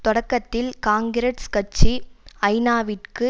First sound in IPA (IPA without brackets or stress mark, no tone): t̪